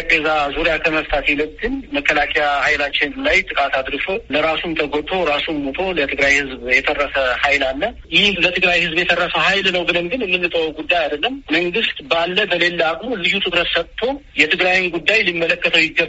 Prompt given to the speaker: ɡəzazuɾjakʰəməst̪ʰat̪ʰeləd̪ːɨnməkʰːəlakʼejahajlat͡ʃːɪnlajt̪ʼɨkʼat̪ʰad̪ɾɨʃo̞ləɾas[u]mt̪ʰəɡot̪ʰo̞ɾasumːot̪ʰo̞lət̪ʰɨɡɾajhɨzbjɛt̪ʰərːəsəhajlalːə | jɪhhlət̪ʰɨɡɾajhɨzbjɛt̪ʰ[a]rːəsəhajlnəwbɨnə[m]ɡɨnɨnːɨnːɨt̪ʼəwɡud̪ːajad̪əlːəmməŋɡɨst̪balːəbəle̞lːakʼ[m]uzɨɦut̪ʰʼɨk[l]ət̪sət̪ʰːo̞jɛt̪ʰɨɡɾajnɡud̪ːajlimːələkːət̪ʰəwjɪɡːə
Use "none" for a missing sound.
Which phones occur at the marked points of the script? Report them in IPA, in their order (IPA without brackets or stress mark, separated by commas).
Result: u, ə, m, m, ɾ